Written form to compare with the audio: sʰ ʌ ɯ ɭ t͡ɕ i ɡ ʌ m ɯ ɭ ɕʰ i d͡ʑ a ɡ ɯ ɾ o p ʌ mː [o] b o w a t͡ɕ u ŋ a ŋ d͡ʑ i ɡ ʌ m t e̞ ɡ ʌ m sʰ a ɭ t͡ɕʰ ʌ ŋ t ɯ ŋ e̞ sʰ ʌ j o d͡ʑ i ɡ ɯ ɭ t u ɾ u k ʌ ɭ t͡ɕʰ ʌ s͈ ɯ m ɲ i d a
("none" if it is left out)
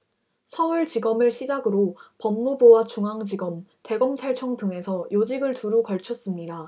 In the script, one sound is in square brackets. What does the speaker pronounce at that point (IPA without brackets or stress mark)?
u